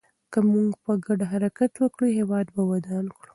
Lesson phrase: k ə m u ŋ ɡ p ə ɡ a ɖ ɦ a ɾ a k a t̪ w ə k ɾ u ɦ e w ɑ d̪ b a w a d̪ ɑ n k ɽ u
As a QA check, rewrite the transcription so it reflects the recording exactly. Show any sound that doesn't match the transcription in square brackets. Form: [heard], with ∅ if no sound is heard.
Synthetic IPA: k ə m u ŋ ɡ p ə ɡ a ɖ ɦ a ɾ a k a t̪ w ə k [ɽ] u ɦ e w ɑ d̪ b a w a d̪ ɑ n k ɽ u